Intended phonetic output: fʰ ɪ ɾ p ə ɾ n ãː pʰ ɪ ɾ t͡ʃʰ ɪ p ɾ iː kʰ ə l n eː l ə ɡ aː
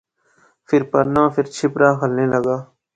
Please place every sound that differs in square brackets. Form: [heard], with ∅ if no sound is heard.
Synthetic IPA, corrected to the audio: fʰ ɪ ɾ p ə ɾ n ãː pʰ ɪ ɾ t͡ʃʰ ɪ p ɾ [aː] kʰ ə l n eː l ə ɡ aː